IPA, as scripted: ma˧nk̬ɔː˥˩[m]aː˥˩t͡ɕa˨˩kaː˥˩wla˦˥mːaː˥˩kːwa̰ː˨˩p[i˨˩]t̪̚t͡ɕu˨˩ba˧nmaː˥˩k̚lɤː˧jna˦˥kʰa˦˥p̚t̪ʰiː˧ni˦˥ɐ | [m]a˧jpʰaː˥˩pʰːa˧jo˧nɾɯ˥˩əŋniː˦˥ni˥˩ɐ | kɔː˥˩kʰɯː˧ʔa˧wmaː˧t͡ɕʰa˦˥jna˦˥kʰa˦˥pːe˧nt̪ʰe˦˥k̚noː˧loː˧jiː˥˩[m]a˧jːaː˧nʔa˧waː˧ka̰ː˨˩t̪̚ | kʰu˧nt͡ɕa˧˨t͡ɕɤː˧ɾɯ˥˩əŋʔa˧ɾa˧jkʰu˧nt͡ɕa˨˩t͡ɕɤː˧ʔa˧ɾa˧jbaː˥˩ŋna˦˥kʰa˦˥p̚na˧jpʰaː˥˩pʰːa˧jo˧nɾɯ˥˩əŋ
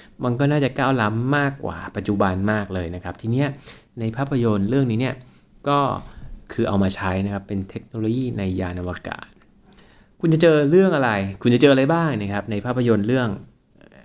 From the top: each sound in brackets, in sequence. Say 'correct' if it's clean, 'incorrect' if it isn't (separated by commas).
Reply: incorrect, incorrect, incorrect, incorrect